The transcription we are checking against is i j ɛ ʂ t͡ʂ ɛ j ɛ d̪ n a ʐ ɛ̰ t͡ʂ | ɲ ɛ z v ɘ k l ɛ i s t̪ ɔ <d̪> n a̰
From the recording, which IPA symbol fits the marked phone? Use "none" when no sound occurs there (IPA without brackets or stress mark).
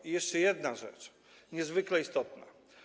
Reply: t̪